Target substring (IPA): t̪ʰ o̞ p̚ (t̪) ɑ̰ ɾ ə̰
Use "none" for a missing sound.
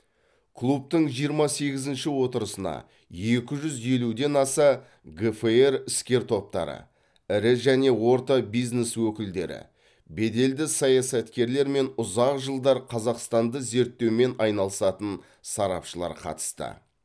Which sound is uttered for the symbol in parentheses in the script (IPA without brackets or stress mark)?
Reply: t̪